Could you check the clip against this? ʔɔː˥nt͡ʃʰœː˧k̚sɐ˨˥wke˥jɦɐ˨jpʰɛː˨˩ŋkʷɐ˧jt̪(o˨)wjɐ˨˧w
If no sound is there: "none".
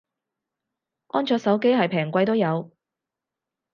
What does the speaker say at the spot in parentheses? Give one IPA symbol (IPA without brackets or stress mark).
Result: o˥